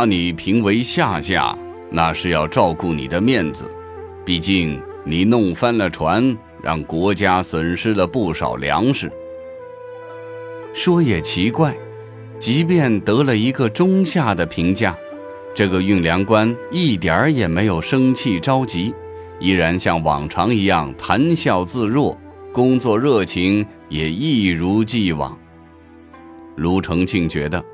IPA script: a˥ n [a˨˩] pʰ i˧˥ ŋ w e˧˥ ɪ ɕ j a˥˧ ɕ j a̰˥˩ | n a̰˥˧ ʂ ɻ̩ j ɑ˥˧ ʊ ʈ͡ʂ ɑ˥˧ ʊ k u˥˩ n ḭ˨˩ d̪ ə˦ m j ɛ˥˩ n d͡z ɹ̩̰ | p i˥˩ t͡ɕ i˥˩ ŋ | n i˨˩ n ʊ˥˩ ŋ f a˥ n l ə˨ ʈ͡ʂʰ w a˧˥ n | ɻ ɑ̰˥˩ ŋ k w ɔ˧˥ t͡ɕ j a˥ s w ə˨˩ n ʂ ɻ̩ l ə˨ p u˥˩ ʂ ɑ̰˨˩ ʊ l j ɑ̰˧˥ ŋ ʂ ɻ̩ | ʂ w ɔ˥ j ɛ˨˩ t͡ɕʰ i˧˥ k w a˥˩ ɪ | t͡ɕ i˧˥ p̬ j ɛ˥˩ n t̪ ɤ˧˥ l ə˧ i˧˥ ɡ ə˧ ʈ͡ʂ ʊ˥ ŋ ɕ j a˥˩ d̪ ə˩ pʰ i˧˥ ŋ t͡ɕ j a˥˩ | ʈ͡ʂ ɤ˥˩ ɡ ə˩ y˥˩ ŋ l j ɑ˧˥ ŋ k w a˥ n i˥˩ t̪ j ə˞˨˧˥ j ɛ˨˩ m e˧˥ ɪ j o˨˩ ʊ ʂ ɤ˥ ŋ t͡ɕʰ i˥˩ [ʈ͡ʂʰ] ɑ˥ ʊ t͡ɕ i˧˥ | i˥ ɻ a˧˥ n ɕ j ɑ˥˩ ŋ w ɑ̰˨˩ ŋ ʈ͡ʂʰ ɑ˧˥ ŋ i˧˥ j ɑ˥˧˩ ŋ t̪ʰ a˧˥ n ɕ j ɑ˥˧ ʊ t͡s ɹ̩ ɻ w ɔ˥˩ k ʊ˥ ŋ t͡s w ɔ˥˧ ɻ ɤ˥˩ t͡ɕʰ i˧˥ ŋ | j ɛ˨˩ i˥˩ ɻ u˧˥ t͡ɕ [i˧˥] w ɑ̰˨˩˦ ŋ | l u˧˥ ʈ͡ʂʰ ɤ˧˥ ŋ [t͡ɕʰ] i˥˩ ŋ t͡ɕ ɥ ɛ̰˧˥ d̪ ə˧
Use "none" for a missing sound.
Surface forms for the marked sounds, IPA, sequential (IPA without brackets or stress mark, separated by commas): i˨˩, ʈ͡ʂ, i˥˩, t͡ɕʰ